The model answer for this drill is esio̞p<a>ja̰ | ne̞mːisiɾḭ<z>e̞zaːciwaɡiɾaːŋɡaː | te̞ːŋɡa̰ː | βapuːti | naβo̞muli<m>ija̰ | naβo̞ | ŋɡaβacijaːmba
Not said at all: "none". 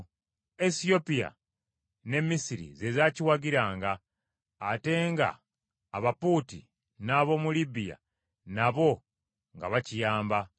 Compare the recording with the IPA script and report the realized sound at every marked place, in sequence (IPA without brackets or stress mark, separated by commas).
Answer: i, z, b